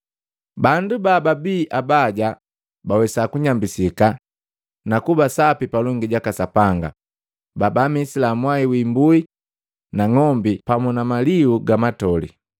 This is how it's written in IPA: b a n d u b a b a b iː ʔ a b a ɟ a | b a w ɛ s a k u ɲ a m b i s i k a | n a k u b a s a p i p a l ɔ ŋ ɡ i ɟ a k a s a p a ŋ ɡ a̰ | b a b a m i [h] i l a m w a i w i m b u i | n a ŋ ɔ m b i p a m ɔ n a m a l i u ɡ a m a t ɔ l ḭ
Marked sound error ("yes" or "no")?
yes